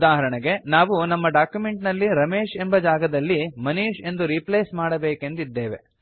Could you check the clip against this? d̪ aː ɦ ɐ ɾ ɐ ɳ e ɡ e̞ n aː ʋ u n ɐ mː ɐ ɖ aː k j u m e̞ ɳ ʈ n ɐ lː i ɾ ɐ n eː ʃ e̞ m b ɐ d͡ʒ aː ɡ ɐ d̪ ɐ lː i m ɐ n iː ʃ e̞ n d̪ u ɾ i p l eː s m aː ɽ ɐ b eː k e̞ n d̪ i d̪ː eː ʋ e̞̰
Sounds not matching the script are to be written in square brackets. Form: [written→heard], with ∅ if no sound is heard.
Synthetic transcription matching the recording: d̪ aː ɦ ɐ ɾ ɐ ɳ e ɡ e̞ n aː ʋ u n ɐ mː ɐ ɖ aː k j u m e̞ ɳ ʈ n ɐ lː i ɾ ɐ [n→m] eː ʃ e̞ m b ɐ d͡ʒ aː ɡ ɐ d̪ ɐ lː i m ɐ n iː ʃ e̞ n d̪ u ɾ i p l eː s m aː ɽ ɐ b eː k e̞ n d̪ i d̪ː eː ʋ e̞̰